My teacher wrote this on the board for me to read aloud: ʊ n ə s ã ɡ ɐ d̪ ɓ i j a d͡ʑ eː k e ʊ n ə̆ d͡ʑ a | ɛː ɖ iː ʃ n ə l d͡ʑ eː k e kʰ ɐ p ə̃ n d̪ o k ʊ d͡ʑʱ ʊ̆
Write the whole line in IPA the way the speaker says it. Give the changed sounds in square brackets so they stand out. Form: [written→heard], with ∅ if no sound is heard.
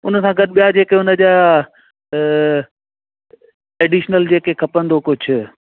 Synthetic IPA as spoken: ʊ n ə s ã ɡ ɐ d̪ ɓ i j a d͡ʑ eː k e ʊ n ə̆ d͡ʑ a | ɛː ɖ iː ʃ n ə l d͡ʑ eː k e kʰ ɐ p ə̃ n d̪ o k ʊ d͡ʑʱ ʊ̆